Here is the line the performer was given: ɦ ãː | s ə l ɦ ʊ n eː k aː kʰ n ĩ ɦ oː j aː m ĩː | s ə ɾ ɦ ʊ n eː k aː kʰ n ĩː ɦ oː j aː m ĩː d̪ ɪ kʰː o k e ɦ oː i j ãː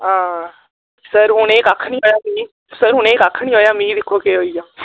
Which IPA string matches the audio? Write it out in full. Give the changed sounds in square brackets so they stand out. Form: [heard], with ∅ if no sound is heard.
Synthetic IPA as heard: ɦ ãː | s ə [ɾ] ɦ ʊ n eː k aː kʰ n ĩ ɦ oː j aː m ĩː | s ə ɾ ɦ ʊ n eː k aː kʰ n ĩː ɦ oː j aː m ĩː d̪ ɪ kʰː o k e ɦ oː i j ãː